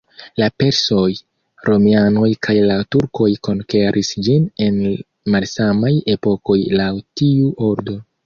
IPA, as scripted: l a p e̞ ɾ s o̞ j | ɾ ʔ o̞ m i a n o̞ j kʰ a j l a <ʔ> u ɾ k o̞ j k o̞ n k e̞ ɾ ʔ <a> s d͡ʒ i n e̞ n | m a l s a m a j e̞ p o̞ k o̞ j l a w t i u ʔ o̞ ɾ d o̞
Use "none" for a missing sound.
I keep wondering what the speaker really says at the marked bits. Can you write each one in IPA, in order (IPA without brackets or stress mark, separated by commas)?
t, i